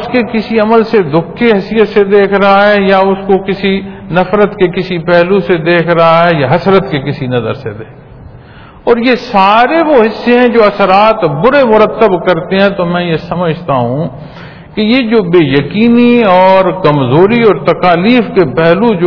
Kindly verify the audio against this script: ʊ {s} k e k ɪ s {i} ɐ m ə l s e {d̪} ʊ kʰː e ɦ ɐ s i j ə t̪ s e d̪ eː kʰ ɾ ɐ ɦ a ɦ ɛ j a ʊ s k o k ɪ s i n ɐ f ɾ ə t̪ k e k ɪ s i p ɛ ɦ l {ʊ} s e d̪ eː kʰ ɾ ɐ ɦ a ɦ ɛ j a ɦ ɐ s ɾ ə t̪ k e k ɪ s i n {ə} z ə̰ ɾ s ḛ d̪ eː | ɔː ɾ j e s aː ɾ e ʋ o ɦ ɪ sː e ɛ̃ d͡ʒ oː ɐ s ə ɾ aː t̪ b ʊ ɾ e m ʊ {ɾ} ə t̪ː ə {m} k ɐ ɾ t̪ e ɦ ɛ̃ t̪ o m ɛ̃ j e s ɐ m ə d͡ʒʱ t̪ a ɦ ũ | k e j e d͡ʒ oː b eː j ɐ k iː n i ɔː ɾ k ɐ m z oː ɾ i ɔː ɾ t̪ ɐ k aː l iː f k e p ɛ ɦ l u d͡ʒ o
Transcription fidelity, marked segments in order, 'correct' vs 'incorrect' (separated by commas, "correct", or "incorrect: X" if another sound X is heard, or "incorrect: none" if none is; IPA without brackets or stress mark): correct, correct, correct, incorrect: u, incorrect: ɐ, correct, incorrect: b